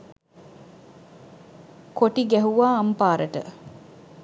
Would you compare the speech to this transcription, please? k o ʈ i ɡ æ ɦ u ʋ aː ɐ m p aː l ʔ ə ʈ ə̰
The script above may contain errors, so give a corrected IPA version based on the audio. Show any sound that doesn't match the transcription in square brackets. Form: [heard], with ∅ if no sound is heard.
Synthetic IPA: k o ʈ i ɡ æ ɦ u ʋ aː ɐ m p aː [ɾ] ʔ ə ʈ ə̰